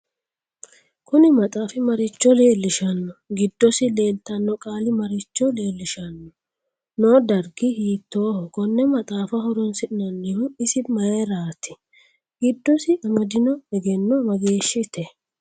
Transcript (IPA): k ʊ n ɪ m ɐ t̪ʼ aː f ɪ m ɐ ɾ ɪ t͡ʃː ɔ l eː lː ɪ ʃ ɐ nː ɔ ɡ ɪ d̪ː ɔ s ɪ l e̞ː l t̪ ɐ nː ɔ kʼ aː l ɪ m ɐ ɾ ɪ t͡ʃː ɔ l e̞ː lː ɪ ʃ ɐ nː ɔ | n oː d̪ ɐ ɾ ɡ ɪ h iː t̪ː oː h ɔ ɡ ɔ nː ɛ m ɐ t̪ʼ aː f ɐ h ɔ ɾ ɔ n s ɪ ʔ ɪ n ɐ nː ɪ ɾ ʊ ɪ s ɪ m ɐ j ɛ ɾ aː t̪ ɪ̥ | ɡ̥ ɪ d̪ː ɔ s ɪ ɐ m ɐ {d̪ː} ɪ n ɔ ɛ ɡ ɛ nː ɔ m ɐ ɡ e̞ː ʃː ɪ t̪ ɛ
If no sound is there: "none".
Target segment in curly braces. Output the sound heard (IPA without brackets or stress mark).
d̪